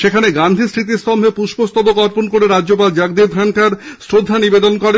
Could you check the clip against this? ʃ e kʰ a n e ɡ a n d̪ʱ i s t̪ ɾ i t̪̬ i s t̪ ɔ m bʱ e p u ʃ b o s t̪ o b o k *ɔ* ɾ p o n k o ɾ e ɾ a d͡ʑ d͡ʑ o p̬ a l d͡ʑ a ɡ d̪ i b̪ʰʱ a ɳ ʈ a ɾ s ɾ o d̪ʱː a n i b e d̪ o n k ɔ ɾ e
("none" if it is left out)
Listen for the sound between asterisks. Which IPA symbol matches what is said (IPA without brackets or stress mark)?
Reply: ɔ